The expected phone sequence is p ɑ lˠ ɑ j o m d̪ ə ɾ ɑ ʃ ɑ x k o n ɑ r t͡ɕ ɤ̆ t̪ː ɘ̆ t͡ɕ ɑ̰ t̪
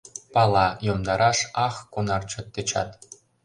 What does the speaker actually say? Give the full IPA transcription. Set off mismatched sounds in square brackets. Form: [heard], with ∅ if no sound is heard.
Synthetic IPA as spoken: p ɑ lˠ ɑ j o m d̪ [ɑ] ɾ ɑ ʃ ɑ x k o n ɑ r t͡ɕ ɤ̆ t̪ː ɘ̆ t͡ɕ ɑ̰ t̪